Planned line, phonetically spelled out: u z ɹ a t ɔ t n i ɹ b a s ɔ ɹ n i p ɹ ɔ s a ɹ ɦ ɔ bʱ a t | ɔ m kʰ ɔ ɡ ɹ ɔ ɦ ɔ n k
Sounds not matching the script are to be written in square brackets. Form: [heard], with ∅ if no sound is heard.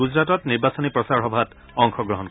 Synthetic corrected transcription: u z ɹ a t ɔ t n i ɹ b a s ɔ [∅] n i p ɹ ɔ s a ɹ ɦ ɔ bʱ a t | ɔ [ŋ] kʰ ɔ ɡ ɹ ɔ ɦ ɔ n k